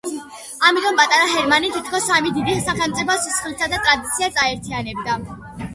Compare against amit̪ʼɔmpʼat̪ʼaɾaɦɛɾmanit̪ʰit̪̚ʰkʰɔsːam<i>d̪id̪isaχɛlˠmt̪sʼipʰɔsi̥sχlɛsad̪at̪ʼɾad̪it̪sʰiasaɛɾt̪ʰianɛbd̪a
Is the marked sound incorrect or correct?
correct